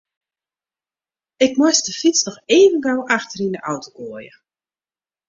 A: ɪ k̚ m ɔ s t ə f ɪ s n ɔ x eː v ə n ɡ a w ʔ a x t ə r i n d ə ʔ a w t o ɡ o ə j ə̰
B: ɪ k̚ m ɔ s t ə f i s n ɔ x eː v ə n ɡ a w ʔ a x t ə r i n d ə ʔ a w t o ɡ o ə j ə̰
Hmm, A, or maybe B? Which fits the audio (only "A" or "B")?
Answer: B